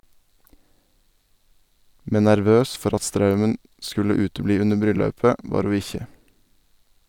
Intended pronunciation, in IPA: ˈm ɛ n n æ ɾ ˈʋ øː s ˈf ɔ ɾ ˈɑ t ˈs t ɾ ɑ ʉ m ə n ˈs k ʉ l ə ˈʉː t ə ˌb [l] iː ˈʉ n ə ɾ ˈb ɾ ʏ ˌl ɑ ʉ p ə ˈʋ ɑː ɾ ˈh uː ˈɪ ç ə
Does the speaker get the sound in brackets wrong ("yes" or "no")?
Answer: no